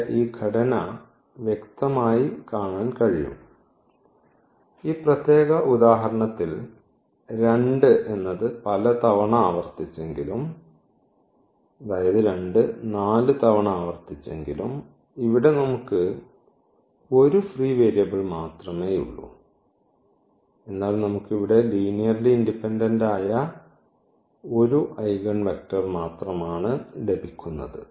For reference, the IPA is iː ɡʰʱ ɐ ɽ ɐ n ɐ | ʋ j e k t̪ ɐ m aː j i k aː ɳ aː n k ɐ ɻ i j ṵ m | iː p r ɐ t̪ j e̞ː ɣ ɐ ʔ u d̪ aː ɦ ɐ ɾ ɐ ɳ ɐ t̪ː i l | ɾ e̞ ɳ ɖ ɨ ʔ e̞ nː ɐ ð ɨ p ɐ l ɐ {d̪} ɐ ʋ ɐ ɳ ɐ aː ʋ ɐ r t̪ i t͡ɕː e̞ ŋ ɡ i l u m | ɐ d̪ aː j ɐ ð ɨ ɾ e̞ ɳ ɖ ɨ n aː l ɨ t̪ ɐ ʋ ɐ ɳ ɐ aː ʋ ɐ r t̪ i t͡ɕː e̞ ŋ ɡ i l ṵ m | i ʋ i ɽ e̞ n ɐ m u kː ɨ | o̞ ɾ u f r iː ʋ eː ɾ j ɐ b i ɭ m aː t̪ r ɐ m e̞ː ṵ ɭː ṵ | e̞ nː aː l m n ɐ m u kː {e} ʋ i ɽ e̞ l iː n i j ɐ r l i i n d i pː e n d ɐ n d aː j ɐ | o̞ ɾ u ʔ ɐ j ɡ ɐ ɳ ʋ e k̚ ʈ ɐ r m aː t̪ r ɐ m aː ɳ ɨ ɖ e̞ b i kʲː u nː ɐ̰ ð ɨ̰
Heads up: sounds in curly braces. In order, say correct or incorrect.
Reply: incorrect, incorrect

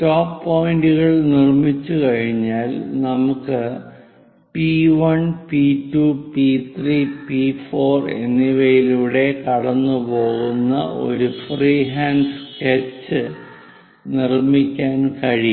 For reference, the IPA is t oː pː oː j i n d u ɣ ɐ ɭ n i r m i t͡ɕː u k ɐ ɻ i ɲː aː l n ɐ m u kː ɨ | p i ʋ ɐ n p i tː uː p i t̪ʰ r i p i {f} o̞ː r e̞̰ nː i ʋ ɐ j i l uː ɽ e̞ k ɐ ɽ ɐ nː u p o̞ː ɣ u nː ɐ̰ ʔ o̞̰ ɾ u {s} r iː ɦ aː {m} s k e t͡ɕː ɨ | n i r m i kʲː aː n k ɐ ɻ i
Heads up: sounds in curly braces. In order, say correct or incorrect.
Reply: correct, incorrect, incorrect

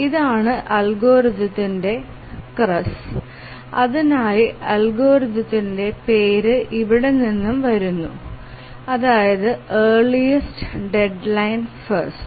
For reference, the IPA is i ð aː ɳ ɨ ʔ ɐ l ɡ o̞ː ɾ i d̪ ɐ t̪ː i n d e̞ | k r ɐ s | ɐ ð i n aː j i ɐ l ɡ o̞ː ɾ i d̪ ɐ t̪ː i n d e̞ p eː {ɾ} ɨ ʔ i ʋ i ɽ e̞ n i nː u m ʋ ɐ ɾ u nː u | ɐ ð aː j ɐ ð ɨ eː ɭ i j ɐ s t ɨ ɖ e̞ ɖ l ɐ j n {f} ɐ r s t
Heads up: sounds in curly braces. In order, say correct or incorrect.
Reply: correct, correct

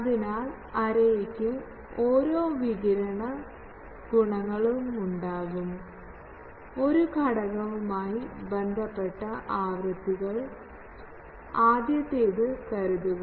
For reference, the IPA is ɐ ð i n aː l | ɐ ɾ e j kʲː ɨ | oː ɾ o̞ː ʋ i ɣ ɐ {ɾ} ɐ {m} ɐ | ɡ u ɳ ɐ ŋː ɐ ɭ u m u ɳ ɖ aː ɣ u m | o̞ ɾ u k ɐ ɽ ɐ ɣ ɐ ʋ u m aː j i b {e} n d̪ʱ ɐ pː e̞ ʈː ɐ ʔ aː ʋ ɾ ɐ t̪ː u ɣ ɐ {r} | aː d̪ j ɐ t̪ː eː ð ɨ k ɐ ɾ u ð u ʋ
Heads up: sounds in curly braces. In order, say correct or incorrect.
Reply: correct, incorrect, correct, incorrect

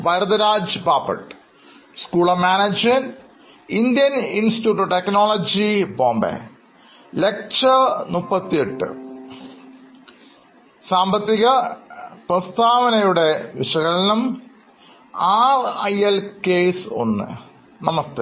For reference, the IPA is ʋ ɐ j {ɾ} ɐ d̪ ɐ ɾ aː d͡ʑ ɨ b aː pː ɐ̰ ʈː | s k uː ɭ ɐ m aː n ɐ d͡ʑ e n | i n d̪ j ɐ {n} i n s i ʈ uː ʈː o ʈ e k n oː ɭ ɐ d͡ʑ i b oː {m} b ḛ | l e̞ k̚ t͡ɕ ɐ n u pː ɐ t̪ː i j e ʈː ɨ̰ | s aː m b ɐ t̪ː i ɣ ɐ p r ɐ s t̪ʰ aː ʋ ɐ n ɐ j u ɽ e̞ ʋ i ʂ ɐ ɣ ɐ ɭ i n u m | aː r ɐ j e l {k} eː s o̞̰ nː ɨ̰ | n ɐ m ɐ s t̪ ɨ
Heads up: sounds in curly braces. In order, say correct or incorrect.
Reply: correct, correct, correct, correct

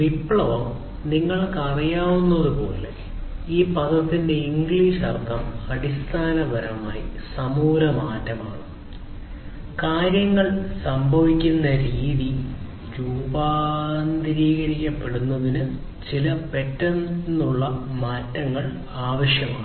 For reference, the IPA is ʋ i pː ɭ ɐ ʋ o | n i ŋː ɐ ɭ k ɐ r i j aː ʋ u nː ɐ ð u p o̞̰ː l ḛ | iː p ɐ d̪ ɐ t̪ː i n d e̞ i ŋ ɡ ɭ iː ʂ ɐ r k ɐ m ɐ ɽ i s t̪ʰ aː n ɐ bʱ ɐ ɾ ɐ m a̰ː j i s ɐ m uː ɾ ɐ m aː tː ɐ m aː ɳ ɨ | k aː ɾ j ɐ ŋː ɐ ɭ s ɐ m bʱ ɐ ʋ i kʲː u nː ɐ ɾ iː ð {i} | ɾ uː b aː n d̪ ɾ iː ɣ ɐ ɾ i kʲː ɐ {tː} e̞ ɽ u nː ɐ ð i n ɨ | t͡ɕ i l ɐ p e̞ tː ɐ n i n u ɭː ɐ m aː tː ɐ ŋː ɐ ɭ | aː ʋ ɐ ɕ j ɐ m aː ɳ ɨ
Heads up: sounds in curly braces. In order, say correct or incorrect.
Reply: correct, incorrect

